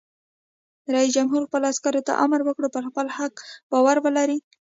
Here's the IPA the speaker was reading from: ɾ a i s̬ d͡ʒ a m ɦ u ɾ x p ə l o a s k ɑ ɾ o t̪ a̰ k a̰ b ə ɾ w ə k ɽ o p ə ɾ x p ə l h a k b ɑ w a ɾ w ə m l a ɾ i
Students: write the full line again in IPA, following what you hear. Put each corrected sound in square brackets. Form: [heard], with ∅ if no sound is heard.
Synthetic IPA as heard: ɾ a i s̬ d͡ʒ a m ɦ u ɾ x p ə l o a s k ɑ ɾ o t̪ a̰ [ʔ] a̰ [m] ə ɾ w ə k ɽ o p ə ɾ x p ə l h a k b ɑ w a ɾ w ə [∅] l a ɾ i